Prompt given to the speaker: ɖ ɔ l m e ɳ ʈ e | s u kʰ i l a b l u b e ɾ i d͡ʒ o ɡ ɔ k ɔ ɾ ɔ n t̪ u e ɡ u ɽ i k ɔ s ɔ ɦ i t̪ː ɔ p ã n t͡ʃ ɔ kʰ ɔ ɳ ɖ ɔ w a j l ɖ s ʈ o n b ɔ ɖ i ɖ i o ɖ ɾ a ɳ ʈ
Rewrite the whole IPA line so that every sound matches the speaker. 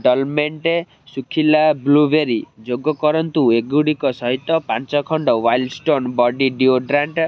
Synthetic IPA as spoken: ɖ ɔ l m e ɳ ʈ e | s u kʰ i l a b l u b e ɾ i d͡ʒ o ɡ ɔ k ɔ ɾ ɔ n t̪ u e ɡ u ɽ i k ɔ s ɔ ɦ i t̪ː ɔ p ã n t͡ʃ ɔ kʰ ɔ ɳ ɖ ɔ w a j l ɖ s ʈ o n b ɔ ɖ i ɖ i o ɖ ɾ a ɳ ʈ